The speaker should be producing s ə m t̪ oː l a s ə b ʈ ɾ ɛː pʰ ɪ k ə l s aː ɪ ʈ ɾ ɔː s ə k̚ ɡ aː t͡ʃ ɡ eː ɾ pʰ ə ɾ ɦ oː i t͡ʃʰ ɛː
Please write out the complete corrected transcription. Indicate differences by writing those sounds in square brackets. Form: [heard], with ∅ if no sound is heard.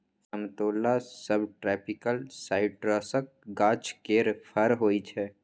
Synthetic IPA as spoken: s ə m t̪ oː l a s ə b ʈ ɾ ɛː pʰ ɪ k ə l s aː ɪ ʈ ɾ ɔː s ə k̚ ɡ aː t͡ʃ [k] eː ɾ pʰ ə ɾ ɦ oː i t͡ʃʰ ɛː